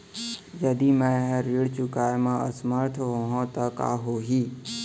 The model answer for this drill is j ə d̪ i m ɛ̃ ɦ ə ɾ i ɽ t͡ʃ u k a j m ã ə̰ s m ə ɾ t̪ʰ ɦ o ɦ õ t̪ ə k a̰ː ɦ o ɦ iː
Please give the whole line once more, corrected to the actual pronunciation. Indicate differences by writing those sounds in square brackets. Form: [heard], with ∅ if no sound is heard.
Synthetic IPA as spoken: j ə d̪ i m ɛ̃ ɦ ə ɾ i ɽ t͡ʃ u k a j m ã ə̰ s m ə ɾ t̪ʰ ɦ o ɦ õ t̪ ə k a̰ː ɦ o ɦ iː

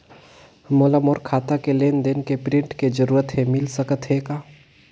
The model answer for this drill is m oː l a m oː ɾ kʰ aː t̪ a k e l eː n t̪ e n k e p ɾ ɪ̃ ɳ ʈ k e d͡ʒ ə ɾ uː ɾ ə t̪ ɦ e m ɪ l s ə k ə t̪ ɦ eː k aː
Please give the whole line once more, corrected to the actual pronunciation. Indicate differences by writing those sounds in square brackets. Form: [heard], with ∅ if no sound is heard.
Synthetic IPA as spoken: m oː l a m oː ɾ kʰ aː t̪ a k e l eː n [d̪] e n k e p ɾ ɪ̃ ɳ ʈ k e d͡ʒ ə ɾ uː ɾ ə t̪ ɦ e m ɪ l s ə k ə t̪ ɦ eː k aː

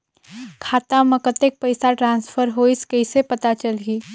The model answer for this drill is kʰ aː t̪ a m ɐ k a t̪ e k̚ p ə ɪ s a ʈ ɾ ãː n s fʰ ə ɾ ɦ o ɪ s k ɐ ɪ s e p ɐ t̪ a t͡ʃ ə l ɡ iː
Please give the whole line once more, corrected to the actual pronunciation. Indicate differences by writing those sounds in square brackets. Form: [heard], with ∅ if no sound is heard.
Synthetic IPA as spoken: kʰ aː t̪ a m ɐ k [ə] t̪ e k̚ p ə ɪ s a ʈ ɾ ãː n s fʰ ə ɾ ɦ o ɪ s k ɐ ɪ s e p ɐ t̪ a t͡ʃ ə l ɡ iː

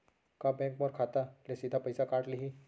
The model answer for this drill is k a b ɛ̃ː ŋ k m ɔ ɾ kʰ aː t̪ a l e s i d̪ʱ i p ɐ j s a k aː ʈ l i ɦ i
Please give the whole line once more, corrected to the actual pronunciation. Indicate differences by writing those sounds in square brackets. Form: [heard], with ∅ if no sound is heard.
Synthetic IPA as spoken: k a b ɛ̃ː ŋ k m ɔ ɾ kʰ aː t̪ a l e s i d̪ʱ [a] p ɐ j s a k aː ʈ l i ɦ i

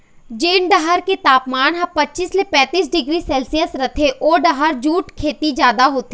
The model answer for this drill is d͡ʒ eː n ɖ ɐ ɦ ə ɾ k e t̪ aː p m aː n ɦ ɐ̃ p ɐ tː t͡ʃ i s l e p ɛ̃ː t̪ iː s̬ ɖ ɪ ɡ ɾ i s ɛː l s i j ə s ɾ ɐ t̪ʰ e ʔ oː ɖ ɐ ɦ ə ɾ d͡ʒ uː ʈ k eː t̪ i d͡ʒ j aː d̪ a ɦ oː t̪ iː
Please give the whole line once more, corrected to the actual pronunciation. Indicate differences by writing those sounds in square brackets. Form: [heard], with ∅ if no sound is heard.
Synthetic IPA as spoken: d͡ʒ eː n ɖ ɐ ɦ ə ɾ k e t̪ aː p m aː n ɦ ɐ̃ p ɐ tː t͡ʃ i s l e p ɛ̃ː t̪ iː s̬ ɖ ɪ ɡ ɾ i s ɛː l s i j ə s ɾ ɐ t̪ʰ e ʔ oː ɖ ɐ ɦ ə ɾ d͡ʒ uː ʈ [kʰ] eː t̪ i d͡ʒ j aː d̪ a ɦ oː t̪ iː

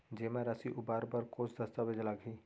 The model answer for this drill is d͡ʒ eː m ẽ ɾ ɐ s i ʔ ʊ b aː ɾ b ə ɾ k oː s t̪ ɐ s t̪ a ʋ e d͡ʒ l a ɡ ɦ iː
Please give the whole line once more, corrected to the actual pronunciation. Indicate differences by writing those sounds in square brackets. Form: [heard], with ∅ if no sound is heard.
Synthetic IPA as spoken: d͡ʒ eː m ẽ ɾ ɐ s i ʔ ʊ b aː ɾ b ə ɾ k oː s [d̪] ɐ s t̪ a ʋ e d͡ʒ l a ɡ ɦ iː

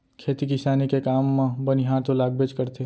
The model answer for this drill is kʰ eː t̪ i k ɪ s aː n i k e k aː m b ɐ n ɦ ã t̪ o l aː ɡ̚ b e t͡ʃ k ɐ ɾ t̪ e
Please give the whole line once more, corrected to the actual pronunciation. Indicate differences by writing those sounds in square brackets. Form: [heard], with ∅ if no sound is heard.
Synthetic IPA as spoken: kʰ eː t̪ i k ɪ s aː n i k e k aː m b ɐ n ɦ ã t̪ o l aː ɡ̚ b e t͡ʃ k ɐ ɾ t̪ e

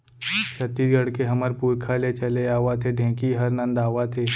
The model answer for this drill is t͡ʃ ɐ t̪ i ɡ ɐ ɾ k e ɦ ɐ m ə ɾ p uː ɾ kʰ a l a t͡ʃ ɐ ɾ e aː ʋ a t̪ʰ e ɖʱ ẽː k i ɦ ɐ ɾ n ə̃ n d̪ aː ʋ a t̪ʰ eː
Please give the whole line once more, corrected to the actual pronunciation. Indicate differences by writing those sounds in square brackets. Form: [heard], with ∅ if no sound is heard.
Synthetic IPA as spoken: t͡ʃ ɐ t̪ i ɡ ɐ [ɽ] k e ɦ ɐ m ə ɾ p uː ɾ kʰ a l [e] t͡ʃ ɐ [l] e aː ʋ a t̪ʰ e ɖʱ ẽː k i ɦ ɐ ɾ n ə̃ n d̪ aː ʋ a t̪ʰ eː

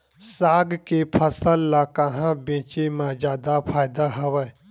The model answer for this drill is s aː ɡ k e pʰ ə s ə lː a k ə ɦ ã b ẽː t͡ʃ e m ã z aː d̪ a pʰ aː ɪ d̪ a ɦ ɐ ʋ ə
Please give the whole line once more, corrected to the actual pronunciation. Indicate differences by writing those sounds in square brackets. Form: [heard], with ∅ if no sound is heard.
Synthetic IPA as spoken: s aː ɡ k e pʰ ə s ə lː a k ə ɦ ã b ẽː t͡ʃ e m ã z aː d̪ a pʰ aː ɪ d̪ a ɦ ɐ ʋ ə

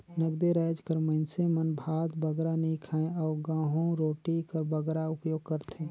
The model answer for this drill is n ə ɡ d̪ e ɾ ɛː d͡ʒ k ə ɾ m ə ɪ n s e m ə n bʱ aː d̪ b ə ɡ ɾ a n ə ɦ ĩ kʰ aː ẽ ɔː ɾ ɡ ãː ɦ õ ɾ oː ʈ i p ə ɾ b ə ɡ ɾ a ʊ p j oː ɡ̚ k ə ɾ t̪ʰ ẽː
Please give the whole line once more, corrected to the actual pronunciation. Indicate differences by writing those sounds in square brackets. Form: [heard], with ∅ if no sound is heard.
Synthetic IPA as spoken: n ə ɡ d̪ e ɾ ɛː d͡ʒ k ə ɾ m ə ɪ n s e m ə n bʱ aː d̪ b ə ɡ ɾ a n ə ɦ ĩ kʰ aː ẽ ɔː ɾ ɡ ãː ɦ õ ɾ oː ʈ i [k] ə ɾ b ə ɡ ɾ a ʊ p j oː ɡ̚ k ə ɾ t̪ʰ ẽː

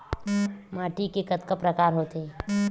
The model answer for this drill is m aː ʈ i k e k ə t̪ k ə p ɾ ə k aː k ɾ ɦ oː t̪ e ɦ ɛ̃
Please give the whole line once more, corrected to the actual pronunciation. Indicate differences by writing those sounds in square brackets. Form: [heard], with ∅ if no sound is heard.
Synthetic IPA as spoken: m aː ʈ i k e k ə t̪ k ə p ɾ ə k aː [∅] ɾ ɦ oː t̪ e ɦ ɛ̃

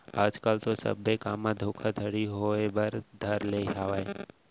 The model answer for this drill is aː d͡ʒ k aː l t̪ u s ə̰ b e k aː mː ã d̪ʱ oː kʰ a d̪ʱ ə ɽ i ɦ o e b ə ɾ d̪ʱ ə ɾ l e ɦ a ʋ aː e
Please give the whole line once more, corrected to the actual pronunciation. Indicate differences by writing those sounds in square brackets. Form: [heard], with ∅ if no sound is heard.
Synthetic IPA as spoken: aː d͡ʒ k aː l t̪ [o] s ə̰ b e k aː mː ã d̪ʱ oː kʰ a d̪ʱ ə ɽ i ɦ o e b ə ɾ d̪ʱ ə ɾ l e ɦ a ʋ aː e

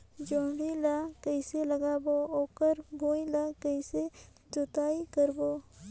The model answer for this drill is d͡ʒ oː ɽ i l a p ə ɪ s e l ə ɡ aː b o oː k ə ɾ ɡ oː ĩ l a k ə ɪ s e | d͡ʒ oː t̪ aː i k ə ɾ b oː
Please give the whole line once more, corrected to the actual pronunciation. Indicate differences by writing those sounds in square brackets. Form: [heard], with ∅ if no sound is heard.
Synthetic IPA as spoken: d͡ʒ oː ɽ i l a [k] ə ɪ s e l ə ɡ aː b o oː k ə ɾ ɡ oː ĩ l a k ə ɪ s e | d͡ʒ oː t̪ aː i k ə ɾ b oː

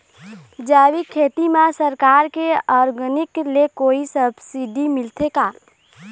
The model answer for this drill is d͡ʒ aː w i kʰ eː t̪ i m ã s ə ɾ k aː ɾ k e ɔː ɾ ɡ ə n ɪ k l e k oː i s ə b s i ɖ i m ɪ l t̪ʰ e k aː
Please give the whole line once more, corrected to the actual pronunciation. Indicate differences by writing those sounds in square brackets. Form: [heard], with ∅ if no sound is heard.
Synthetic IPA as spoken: d͡ʒ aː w i kʰ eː t̪ i m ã s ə ɾ k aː ɾ k e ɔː ɾ ɡ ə n ɪ k l e k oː i s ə b s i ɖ i m ɪ l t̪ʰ e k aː

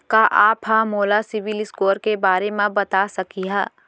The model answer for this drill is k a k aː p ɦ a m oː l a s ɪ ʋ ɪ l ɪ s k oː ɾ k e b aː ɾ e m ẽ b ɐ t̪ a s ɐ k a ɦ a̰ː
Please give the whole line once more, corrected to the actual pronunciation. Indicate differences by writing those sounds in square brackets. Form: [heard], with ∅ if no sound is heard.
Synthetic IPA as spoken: k a [ʔ] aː p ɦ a m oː l a s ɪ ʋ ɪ l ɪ s k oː ɾ k e b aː ɾ e m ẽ b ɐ t̪ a s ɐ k [i] ɦ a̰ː

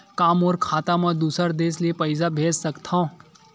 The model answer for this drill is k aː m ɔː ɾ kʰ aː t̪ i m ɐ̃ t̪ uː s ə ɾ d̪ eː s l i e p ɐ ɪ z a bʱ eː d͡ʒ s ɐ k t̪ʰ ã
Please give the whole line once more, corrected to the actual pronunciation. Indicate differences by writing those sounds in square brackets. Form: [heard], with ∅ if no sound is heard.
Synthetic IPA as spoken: k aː m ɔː ɾ kʰ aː t̪ [a] m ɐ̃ [d̪] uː s ə ɾ d̪ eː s l i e p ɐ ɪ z a bʱ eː d͡ʒ s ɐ k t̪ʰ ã

